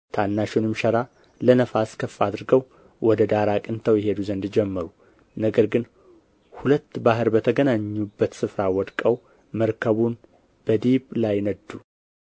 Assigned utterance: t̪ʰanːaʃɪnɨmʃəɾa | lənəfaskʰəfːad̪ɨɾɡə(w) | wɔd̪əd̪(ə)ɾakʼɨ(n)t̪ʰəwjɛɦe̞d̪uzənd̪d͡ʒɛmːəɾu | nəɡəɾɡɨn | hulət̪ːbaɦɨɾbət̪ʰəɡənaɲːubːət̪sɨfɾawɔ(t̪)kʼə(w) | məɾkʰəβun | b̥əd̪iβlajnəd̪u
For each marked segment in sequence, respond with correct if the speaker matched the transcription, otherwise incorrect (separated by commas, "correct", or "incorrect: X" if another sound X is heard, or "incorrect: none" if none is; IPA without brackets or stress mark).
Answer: correct, incorrect: a, correct, incorrect: d̪, correct